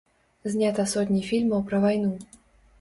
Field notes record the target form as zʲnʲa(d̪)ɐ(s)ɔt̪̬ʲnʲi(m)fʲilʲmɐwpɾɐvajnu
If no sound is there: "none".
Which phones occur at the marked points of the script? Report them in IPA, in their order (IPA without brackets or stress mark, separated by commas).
t̪, s, none